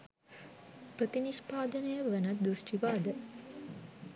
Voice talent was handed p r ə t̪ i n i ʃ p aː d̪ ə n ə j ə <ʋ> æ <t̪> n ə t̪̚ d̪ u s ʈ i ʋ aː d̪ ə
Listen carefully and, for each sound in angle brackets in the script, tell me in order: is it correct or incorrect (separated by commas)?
correct, incorrect